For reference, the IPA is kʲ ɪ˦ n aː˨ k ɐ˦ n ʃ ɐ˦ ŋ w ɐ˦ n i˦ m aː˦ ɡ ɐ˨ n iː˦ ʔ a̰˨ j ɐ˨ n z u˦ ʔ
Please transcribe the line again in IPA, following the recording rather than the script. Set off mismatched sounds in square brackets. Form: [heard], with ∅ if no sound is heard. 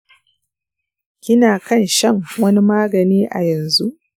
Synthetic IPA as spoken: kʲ ɪ˦ n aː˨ k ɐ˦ n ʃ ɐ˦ ŋ w ɐ˦ n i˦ m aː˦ ɡ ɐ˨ n iː˦ ʔ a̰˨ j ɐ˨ n z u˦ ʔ

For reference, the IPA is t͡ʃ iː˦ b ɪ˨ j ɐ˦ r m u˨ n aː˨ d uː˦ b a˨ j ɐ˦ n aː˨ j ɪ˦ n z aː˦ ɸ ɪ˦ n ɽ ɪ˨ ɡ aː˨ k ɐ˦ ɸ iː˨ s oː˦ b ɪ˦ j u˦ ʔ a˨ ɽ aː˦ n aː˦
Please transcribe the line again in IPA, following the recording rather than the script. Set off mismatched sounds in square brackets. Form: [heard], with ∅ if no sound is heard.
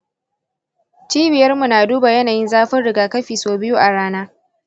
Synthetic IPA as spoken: t͡ʃ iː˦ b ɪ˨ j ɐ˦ r m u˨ n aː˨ d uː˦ b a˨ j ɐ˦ n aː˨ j ɪ˦ n z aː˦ ɸ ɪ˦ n ɽ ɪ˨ ɡ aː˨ k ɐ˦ ɸ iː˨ s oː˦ b ɪ˦ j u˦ ʔ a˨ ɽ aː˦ n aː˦

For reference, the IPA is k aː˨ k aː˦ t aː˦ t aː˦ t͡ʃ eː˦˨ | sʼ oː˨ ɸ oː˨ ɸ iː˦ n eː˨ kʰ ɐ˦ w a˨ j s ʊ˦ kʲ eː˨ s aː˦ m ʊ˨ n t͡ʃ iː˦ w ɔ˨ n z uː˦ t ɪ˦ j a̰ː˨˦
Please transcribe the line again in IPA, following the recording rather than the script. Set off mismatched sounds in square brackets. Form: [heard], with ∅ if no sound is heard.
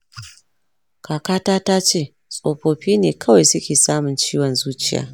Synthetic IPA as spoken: k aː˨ k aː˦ t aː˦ t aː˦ t͡ʃ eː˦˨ | sʼ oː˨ ɸ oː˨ ɸ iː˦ n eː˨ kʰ ɐ˦ w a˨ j s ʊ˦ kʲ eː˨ s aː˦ m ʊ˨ n t͡ʃ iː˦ w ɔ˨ n z uː˦ [t͡ʃ] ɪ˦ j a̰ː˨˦

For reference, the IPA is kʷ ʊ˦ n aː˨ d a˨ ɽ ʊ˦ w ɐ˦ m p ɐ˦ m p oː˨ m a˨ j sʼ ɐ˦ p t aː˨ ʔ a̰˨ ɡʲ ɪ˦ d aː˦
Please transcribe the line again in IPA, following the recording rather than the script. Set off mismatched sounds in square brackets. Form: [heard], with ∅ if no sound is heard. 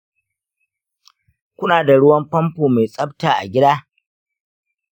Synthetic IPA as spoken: kʷ ʊ˦ n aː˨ d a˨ ɽ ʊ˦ w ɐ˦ m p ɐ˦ m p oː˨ m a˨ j sʼ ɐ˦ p t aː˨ ʔ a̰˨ ɡʲ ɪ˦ d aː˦

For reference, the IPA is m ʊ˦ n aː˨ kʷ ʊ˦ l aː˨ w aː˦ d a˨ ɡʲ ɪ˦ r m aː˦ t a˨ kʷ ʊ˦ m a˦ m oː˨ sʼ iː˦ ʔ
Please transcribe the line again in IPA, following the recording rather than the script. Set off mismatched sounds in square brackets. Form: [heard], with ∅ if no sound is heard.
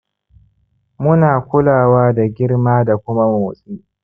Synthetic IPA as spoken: m ʊ˦ n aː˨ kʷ ʊ˦ l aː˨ w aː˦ d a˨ ɡʲ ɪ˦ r m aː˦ [d] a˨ kʷ ʊ˦ m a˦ m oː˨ sʼ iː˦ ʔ

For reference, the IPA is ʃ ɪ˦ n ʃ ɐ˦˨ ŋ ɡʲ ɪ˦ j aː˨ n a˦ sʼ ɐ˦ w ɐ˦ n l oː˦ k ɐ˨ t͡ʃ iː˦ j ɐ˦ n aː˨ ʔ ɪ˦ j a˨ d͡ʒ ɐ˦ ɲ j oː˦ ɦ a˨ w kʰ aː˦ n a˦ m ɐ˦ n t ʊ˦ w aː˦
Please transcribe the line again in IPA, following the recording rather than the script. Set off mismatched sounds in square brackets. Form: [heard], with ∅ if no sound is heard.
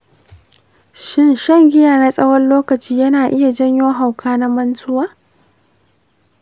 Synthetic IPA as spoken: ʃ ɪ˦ n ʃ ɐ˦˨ ŋ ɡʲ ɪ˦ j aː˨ n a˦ sʼ ɐ˦ w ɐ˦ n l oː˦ k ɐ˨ t͡ʃ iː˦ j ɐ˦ n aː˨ ʔ ɪ˦ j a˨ d͡ʒ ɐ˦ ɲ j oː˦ ɦ a˨ w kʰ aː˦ n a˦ m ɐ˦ n t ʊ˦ w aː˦

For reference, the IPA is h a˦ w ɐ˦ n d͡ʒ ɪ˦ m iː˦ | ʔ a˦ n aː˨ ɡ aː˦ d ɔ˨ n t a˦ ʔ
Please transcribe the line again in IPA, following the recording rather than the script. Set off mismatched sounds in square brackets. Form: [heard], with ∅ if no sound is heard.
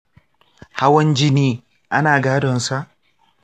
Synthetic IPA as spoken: h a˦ w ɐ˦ n d͡ʒ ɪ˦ [n] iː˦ | ʔ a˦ n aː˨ ɡ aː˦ d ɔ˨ n [s] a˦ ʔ

